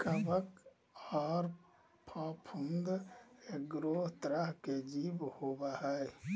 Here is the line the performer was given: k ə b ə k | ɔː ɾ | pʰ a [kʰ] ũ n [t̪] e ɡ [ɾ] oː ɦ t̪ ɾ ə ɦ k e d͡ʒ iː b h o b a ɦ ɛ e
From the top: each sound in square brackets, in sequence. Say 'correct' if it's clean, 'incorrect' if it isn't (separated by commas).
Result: incorrect, incorrect, correct